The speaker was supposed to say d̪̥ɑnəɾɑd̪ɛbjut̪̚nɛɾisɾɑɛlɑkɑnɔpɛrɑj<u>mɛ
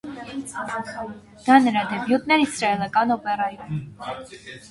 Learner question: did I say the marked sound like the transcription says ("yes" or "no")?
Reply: yes